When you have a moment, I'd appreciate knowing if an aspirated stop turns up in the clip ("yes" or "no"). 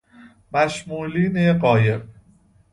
no